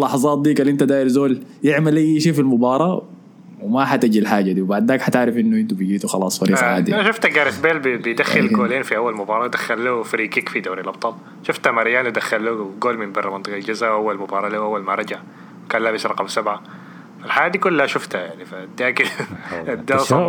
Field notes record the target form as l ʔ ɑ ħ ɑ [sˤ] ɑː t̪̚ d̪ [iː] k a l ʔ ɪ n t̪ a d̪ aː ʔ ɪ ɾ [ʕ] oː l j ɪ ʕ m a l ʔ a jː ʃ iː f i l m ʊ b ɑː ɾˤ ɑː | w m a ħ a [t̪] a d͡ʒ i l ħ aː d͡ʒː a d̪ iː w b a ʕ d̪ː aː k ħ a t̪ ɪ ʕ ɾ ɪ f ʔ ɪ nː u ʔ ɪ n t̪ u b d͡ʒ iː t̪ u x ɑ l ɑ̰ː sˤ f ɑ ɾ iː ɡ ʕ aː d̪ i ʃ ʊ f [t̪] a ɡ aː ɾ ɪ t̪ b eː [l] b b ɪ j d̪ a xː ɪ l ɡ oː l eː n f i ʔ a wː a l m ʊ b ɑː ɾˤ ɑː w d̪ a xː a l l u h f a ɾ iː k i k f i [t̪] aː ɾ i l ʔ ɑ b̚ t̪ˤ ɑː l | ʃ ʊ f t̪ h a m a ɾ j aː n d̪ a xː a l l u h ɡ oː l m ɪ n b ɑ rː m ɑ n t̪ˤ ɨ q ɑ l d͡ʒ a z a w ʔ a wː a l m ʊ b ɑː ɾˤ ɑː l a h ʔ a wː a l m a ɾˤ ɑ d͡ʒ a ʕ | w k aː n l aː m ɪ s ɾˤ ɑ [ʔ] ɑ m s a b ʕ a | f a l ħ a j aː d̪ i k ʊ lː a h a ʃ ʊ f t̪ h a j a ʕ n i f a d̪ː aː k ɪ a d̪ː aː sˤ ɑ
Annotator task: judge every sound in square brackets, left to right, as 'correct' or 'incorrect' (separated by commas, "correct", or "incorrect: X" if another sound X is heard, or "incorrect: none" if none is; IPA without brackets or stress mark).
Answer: incorrect: zˤ, correct, incorrect: z, correct, correct, correct, incorrect: d̪, incorrect: q